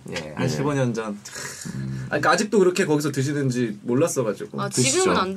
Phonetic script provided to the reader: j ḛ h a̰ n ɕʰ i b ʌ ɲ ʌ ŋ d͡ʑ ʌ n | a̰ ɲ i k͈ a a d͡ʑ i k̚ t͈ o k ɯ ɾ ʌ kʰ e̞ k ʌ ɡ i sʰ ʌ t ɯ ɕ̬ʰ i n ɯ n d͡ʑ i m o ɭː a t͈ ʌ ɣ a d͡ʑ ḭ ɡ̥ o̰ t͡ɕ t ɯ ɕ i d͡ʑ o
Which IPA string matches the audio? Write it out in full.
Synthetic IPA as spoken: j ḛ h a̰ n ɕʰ i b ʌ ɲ ʌ n d͡ʑ ʌ n | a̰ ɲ i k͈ a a d͡ʑ i k̚ t͈ o k ɯ ɾ ʌ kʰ e̞ k ʌ ɡ i sʰ ʌ t ɯ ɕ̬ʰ i n ɯ n d͡ʑ i m o ɭː a s͈ ʌ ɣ a d͡ʑ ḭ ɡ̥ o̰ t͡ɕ t ɯ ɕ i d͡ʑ o

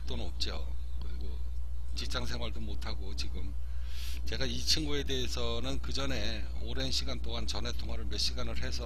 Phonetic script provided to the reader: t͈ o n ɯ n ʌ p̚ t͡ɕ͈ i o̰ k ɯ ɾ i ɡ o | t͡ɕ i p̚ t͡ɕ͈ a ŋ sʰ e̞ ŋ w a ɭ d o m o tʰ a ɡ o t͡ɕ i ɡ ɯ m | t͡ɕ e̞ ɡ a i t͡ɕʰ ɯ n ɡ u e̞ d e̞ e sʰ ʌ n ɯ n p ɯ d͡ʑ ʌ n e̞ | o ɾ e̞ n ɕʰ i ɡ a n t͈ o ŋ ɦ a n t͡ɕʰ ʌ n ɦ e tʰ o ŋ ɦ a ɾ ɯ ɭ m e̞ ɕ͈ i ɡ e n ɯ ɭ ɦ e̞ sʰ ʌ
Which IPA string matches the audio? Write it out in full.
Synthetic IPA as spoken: t͈ o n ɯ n ʌ p̚ t͡ɕ͈ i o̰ k ɯ ɾ i ɡ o | t͡ɕ i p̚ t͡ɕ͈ a ŋ sʰ e̞ ŋ w a ɭ d o m o tʰ a ɡ o t͡ɕ i ɡ ɯ m | t͡ɕ e̞ ɡ a i t͡ɕʰ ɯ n ɡ u e̞ d e̞ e sʰ ʌ n ɯ n k ɯ d͡ʑ ʌ n e̞ | o ɾ e̞ n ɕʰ i ɡ a n t͈ o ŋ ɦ a n t͡ɕ ʌ n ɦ e tʰ o ŋ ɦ a ɾ ɯ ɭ m e̞ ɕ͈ i ɡ a n ɯ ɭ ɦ e̞ sʰ ʌ

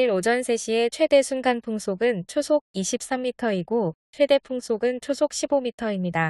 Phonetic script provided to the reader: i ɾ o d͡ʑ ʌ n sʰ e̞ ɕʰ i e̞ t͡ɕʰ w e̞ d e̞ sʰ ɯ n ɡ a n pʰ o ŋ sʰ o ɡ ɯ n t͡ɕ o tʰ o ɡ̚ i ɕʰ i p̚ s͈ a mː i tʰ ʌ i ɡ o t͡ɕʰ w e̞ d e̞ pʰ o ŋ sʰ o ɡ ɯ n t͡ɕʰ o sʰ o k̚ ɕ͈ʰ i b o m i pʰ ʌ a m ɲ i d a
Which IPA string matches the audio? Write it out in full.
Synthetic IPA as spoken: i ɾ o d͡ʑ ʌ n sʰ e̞ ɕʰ i e̞ t͡ɕʰ w e̞ d e̞ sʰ u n ɡ a n pʰ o ŋ sʰ o ɡ ɯ n t͡ɕʰ o sʰ o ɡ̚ i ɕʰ i p̚ s͈ a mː i tʰ ʌ i ɡ o t͡ɕʰ w e̞ d e̞ pʰ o ŋ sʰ o ɡ ɯ n t͡ɕʰ o sʰ o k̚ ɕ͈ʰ i b o m i tʰ ʌ i m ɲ i d a

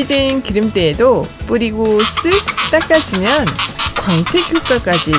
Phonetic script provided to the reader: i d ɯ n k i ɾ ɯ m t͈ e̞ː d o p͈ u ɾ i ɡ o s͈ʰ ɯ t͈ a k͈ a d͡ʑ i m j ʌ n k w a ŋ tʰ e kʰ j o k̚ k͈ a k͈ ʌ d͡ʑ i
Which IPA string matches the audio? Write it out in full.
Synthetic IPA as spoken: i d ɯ n k i ɾ ɯ m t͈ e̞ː d o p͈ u ɾ i ɡ o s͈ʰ ɯ t͈ a k͈ a d͡ʑ i m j ʌ n k w a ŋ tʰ e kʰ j o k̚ k͈ a k͈ a d͡ʑ i

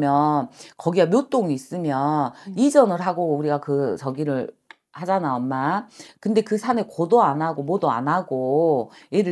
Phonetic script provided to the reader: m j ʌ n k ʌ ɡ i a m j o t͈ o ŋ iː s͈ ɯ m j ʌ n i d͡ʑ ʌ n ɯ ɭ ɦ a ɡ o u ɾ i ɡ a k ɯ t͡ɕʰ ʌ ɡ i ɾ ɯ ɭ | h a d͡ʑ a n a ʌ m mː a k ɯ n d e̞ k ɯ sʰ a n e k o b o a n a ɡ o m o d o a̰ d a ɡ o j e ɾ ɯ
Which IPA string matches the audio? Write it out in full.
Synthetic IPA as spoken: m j ʌ n k ʌ ɡ i a m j o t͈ o ŋ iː s͈ ɯ m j ʌ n i d͡ʑ ʌ n ɯ ɭ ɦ a ɡ o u ɾ i ɡ a k ɯ t͡ɕ ʌ ɡ i ɾ ɯ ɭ | h a d͡ʑ a n a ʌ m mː a k ɯ n d e̞ k ɯ sʰ a n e k o d o a n a ɡ o m o d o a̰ n a ɡ o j e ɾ ɯ

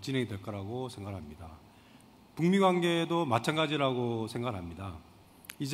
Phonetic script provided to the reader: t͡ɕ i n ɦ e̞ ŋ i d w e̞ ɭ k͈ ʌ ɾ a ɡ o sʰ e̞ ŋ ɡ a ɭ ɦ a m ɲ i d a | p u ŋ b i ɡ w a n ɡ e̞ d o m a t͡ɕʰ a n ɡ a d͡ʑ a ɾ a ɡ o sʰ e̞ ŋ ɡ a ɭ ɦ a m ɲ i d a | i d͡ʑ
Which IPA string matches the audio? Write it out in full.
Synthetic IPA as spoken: t͡ɕ i n ɦ e̞ ŋ i d w e̞ ɭ k͈ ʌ ɾ a ɡ o sʰ e̞ ŋ ɡ a ɭ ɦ a m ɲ i d a | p u ŋ m i ɡ w a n ɡ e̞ d o m a t͡ɕʰ a n ɡ a d͡ʑ i ɾ a ɡ o sʰ e̞ ŋ ɡ a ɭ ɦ a m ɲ i d a | i d͡ʑ

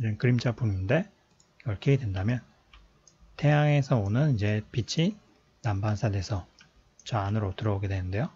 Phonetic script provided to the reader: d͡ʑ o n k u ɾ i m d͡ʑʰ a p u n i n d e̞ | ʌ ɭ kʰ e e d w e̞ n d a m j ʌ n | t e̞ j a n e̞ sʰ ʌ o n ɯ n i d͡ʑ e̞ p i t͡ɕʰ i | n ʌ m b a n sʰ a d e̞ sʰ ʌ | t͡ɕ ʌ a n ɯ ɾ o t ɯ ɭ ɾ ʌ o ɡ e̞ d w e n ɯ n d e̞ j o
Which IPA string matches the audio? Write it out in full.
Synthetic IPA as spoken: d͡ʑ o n k ɯ ɾ i m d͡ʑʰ a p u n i n d e̞ | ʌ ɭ kʰ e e d w e̞ n d a m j ʌ n | t e̞ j a ŋ e̞ sʰ ʌ o n ɯ n i d͡ʑ e̞ p i t͡ɕʰ i | n a m b a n sʰ a d e̞ sʰ ʌ | t͡ɕ ʌ a n ɯ ɾ o t ɯ ɾ ʌ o ɡ e̞ d w e n ɯ n d e̞ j o

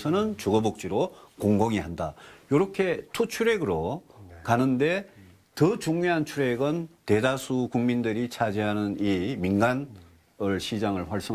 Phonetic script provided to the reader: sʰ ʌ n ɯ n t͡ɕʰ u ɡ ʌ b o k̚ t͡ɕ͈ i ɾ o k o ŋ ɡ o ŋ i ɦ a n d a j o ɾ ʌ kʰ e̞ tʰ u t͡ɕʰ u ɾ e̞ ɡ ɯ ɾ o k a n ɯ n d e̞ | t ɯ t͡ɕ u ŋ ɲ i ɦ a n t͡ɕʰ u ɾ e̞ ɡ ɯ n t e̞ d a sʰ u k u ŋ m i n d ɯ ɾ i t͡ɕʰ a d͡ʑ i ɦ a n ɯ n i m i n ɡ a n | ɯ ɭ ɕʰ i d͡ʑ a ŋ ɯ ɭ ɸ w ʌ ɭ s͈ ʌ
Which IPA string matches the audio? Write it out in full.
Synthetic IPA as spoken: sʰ ʌ n ɯ n t͡ɕ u ɡ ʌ b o k̚ t͡ɕ͈ i ɾ o k o ŋ ɡ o ŋ i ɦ a n d a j o ɾ ʌ kʰ e̞ tʰ u t͡ɕʰ u ɾ e̞ ɡ ɯ ɾ o k a n ɯ n d e̞ | t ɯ t͡ɕ u ŋ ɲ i ɦ a n t͡ɕʰ u ɾ e̞ ɡ ɯ n t e̞ d a sʰ u k u ŋ m i n d ɯ ɾ i t͡ɕʰ a d͡ʑ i ɦ a n ɯ n i m i n ɡ a n | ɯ ɭ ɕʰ i d͡ʑ a ŋ ɯ ɭ ɸ w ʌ ɭ s͈ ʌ

